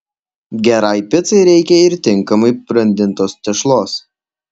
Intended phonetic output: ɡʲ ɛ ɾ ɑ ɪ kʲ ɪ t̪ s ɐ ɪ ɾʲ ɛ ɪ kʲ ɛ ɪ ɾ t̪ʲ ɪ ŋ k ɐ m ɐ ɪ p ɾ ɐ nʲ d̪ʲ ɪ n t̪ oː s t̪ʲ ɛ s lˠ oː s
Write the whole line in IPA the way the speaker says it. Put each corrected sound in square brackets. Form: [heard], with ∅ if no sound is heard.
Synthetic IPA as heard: ɡʲ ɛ ɾ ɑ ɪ [pʲ] ɪ t̪ s ɐ ɪ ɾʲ ɛ ɪ kʲ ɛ ɪ ɾ t̪ʲ ɪ ŋ k ɐ m ɐ ɪ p ɾ ɐ nʲ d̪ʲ ɪ n t̪ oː s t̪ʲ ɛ [ʃ] lˠ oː s

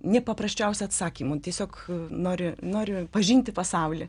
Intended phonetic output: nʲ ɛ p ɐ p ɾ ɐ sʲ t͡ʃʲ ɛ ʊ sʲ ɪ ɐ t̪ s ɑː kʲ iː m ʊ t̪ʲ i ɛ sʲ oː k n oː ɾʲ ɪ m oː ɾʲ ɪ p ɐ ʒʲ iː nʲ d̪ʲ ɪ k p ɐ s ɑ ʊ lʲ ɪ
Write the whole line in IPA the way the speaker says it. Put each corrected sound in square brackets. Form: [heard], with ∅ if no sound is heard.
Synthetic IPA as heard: nʲ ɛ p ɐ p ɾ ɐ sʲ t͡ʃʲ ɛ ʊ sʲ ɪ ɐ t̪ s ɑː kʲ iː m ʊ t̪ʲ i ɛ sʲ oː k n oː ɾʲ ɪ [n] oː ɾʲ ɪ p ɐ ʒʲ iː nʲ [t̪ʲ] ɪ [∅] p ɐ s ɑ ʊ lʲ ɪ

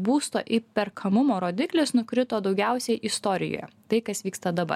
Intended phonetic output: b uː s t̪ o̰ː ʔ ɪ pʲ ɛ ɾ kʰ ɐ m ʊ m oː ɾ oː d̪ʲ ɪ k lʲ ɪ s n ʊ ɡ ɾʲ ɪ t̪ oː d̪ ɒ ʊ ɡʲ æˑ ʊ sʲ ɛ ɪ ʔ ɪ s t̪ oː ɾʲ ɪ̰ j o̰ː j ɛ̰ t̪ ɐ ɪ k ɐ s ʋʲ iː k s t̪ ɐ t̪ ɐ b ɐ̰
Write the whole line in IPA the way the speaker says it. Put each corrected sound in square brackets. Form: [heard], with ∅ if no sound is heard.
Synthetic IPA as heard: b uː s t̪ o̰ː ʔ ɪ pʲ ɛ ɾ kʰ ɐ m ʊ m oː ɾ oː d̪ʲ ɪ k lʲ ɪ s n ʊ [k] ɾʲ ɪ t̪ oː d̪ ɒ ʊ ɡʲ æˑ ʊ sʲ ɛ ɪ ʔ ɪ s t̪ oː ɾʲ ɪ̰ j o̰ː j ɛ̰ t̪ ɐ ɪ k ɐ s ʋʲ iː k s t̪ ɐ [d̪] ɐ b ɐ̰

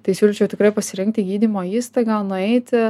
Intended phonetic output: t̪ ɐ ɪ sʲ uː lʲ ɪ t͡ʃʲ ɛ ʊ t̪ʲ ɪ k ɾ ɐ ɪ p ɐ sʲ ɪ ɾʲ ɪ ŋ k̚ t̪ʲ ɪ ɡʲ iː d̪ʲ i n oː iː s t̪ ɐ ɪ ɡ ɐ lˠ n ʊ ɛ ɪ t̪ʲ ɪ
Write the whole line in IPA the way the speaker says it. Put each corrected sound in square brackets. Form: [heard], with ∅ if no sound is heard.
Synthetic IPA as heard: t̪ ɐ ɪ sʲ uː lʲ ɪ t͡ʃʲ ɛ ʊ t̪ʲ ɪ k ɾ ɐ ɪ p ɐ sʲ ɪ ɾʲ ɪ ŋ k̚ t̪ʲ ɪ ɡʲ iː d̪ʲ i [m] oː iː s t̪ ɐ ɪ ɡ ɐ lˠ n ʊ ɛ ɪ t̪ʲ ɪ

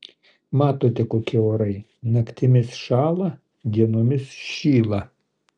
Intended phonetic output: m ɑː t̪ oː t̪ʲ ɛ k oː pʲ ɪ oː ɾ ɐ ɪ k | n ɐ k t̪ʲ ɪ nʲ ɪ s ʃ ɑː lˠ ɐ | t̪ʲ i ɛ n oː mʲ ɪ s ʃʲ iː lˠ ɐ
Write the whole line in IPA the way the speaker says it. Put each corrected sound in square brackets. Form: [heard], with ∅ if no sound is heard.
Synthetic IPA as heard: m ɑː t̪ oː t̪ʲ ɛ k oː [kʲ] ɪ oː ɾ ɐ ɪ [∅] | n ɐ k t̪ʲ ɪ [mʲ] ɪ s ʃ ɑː lˠ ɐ | [d̪ʲ] i ɛ n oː mʲ ɪ s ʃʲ iː lˠ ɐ

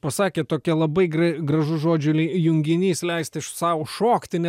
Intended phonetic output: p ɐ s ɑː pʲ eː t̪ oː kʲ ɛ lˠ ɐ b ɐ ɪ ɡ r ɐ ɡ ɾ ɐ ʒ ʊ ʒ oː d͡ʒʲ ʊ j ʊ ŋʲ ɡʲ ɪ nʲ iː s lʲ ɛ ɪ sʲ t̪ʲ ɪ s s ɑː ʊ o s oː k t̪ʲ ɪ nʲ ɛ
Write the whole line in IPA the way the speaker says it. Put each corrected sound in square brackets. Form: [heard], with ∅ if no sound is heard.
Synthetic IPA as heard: p ɐ s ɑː [kʲ] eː t̪ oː kʲ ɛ lˠ ɐ b ɐ ɪ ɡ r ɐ ɡ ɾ ɐ ʒ ʊ ʒ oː d͡ʒʲ ʊ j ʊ ŋʲ ɡʲ ɪ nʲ iː s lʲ ɛ ɪ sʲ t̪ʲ ɪ [ʃ] s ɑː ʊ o [ʃ] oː k t̪ʲ ɪ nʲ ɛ

